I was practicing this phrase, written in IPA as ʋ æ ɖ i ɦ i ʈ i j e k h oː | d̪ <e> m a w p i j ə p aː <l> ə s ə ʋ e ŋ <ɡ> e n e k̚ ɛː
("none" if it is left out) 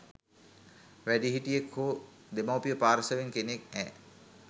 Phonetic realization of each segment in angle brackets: e, ɾ, k

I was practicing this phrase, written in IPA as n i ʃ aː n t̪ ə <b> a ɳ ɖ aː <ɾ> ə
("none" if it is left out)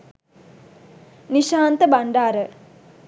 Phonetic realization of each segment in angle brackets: b, ɾ

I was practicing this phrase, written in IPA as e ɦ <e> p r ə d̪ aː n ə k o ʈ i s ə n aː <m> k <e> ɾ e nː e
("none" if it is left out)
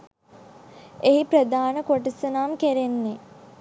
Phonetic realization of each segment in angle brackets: i, m, e

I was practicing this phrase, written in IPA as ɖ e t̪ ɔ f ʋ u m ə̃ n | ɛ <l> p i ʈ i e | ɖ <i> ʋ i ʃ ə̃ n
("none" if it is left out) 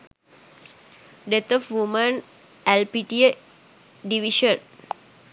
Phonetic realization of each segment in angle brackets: l, i

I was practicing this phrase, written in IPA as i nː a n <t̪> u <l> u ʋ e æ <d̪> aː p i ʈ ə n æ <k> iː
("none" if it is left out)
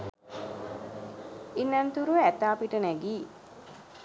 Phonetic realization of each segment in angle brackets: t̪, ɾ, t̪, ɡ

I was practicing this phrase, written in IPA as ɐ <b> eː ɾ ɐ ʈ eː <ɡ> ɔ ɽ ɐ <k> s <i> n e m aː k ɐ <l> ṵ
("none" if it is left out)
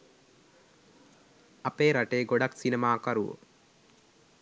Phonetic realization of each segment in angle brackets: p, ɡ, k, i, ɾ

